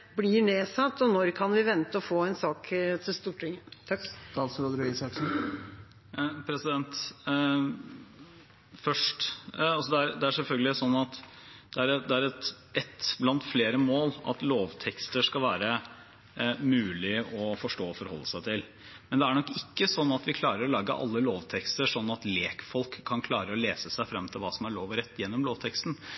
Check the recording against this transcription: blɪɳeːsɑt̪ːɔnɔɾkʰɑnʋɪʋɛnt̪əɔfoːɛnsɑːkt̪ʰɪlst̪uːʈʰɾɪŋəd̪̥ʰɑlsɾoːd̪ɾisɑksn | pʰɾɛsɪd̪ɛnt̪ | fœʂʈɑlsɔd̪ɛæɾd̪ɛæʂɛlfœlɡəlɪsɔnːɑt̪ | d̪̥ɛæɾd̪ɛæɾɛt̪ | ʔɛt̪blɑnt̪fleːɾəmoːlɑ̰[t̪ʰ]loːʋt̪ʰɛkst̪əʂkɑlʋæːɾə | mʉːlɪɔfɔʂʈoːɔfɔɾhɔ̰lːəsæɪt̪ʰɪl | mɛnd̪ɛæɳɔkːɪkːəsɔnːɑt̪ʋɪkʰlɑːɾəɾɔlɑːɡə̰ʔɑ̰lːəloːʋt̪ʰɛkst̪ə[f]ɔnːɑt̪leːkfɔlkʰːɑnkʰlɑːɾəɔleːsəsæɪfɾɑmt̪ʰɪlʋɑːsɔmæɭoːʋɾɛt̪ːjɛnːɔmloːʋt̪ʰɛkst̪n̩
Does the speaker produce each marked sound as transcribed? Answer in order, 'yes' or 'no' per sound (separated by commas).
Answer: no, no